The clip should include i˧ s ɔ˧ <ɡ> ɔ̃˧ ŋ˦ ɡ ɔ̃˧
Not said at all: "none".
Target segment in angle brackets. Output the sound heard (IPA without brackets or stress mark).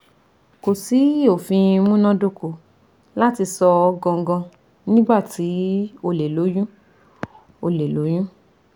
ɡ